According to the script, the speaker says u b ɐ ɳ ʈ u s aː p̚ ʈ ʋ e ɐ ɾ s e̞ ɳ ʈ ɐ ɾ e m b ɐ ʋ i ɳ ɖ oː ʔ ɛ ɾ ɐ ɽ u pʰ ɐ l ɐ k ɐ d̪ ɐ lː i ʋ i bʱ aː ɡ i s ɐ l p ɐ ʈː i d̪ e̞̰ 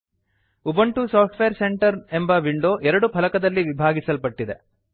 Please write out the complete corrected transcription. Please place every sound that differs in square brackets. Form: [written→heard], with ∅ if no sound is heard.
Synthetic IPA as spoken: u b ɐ ɳ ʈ u s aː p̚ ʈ ʋ e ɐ ɾ s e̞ ɳ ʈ ɐ ɾ e m b ɐ ʋ i ɳ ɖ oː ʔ ɛ ɾ ɐ ɽ u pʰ ɐ l ɐ k ɐ d̪ ɐ lː i ʋ i bʱ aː ɡ i s ɐ l p ɐ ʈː i d̪ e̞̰

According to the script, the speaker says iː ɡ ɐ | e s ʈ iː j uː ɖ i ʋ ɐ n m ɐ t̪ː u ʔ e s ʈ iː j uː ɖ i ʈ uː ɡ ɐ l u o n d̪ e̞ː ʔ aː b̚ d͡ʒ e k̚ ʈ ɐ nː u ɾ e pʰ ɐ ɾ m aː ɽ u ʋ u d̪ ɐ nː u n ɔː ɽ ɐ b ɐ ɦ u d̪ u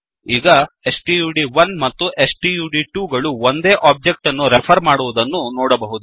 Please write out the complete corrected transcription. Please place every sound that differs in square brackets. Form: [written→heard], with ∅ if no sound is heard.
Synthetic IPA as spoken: iː ɡ ɐ | e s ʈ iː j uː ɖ i ʋ ɐ n m ɐ t̪ː u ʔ e s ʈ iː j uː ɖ i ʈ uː ɡ ɐ [l→ɭ] u o n d̪ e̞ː ʔ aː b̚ d͡ʒ e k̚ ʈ ɐ nː u ɾ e pʰ ɐ ɾ m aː ɽ u ʋ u d̪ ɐ nː u n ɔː ɽ ɐ b ɐ ɦ u d̪ u

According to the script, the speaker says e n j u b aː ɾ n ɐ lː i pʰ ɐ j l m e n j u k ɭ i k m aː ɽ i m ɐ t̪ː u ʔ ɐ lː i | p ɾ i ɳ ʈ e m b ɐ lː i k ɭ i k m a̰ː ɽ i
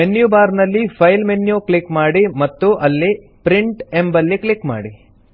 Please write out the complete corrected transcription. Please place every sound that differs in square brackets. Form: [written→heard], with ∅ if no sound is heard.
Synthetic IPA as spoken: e n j u b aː ɾ n ɐ lː i pʰ ɐ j l m e n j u k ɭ i k m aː ɽ i m ɐ t̪ː u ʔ ɐ lː i | p ɾ i ɳ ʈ e m b ɐ lː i k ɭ i k m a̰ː ɽ i

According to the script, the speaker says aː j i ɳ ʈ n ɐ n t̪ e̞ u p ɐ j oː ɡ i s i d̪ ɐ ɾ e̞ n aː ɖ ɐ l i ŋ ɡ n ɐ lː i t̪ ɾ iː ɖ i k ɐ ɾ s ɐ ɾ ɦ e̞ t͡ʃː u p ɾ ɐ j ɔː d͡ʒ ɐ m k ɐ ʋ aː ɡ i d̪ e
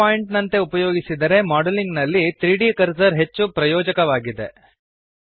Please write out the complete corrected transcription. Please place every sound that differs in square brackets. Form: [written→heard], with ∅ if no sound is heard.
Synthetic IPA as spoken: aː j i ɳ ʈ n ɐ n t̪ e̞ u p ɐ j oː ɡ i s i d̪ ɐ ɾ e̞ [n→m] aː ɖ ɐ l i ŋ ɡ n ɐ lː i t̪ ɾ iː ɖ i k ɐ ɾ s ɐ ɾ ɦ e̞ t͡ʃː u p ɾ ɐ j ɔː d͡ʒ ɐ [m→∅] k ɐ ʋ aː ɡ i d̪ e

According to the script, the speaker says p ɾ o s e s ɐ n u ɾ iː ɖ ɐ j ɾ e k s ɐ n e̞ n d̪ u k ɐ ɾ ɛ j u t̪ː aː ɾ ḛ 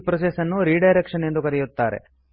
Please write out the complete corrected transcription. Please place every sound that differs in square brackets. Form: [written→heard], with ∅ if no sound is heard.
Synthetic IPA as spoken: p ɾ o s e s ɐ [n→nː] u ɾ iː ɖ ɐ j ɾ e k [s→ʂ] ɐ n e̞ n d̪ u k ɐ ɾ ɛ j u t̪ː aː ɾ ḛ

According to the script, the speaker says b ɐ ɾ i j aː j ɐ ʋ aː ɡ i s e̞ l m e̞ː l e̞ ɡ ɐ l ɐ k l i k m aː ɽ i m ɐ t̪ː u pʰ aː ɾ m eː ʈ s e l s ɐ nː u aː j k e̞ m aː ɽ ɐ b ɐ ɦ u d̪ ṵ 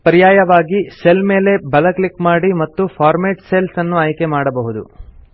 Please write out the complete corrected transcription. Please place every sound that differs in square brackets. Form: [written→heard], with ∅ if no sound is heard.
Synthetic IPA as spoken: [b→p] ɐ ɾ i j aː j ɐ ʋ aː ɡ i s e̞ l m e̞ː l e̞ [ɡ→b] ɐ l ɐ k l i k m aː ɽ i m ɐ t̪ː u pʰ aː ɾ m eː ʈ s e l s ɐ nː u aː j k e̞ m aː ɽ ɐ b ɐ ɦ u d̪ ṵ

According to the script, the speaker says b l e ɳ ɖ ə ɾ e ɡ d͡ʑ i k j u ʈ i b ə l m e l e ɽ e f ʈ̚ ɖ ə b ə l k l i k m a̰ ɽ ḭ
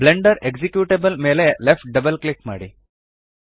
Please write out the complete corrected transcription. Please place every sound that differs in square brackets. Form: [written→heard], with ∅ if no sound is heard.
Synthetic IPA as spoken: b l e ɳ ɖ ə ɾ e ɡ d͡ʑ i k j u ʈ [i→e] b ə l m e l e [ɽ→l] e f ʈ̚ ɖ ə b ə l k l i k m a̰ ɽ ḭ

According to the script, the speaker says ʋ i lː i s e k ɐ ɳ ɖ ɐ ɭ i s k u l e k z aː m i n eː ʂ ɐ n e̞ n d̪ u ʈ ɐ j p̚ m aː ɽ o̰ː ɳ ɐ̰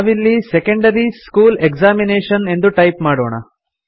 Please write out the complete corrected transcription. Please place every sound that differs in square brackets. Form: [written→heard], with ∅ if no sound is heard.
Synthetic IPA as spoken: ʋ i lː i s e k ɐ ɳ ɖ ɐ [ɭ→ɾ] i s k [u→uː] l e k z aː m i n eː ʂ ɐ n e̞ n d̪ u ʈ ɐ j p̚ m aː ɽ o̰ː ɳ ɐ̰

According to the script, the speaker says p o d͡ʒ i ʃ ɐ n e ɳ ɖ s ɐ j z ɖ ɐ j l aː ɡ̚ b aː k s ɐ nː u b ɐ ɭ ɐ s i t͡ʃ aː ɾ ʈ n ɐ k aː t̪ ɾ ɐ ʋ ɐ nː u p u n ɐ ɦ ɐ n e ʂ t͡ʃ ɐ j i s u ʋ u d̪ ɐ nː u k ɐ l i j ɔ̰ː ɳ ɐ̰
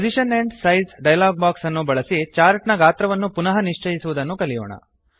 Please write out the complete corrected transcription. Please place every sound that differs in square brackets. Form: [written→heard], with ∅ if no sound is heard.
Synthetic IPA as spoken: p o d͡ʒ i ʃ ɐ n e ɳ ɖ s ɐ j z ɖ ɐ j l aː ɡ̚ b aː k s ɐ nː u b ɐ ɭ ɐ s i t͡ʃ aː ɾ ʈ n ɐ [k→ɡ] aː t̪ ɾ ɐ ʋ ɐ nː u p u n ɐ ɦ ɐ n [e→i] ʂ t͡ʃ ɐ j i s u ʋ u d̪ ɐ nː u k ɐ l i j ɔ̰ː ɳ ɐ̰

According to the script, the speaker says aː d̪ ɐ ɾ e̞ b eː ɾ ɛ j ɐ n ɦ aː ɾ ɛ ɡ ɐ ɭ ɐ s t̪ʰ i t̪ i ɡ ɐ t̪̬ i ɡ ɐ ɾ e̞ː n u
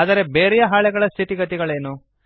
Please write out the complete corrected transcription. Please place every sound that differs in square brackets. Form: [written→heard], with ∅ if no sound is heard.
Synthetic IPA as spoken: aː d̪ ɐ ɾ e̞ b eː ɾ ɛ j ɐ [n→∅] ɦ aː [ɾ→ɭ] ɛ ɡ ɐ ɭ ɐ s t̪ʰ i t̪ i ɡ ɐ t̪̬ i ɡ ɐ [ɾ→ɭ] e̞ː n u

